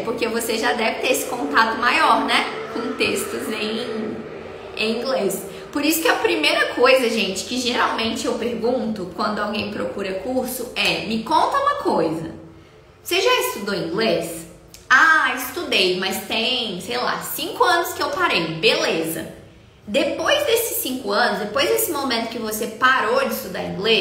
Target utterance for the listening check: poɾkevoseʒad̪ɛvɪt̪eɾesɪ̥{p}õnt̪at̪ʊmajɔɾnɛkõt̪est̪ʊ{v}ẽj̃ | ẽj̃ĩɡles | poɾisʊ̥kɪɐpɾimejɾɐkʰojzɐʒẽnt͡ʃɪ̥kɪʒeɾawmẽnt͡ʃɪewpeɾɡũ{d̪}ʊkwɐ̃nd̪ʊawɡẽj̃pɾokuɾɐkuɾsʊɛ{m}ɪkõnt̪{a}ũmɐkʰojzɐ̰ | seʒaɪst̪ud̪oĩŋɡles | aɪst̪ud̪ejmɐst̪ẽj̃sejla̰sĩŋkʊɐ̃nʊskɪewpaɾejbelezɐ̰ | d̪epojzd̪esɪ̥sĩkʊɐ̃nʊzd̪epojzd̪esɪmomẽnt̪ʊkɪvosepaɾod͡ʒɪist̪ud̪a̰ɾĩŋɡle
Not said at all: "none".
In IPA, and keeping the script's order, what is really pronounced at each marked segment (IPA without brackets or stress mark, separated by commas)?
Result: k, z, t̪, m, ɐ